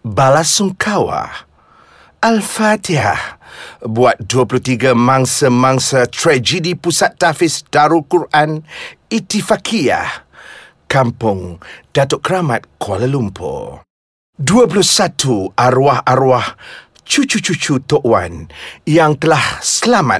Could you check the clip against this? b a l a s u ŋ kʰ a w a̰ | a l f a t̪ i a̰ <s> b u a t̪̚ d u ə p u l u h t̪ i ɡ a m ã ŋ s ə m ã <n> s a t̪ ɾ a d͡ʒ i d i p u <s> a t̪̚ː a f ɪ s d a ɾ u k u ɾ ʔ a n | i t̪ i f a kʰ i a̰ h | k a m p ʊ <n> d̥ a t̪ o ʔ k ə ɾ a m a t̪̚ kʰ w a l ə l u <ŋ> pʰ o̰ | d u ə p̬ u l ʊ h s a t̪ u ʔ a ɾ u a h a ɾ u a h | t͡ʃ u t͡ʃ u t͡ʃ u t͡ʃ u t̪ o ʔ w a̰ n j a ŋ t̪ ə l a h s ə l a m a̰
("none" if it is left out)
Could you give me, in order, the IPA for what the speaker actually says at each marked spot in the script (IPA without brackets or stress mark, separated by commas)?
h, ŋ, s, ŋ, m